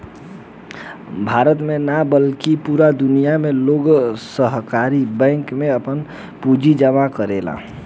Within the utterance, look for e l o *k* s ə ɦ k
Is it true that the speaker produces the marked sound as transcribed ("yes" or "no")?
no